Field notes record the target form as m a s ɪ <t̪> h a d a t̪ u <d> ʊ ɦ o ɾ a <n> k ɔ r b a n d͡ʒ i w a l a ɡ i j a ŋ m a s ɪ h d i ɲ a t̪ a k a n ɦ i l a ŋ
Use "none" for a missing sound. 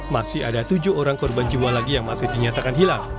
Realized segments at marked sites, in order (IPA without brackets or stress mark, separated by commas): none, d͡ʒ, ŋ